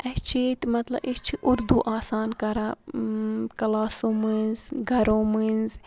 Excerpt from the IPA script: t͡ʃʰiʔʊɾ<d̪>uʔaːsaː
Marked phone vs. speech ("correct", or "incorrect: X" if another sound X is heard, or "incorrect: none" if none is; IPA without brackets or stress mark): correct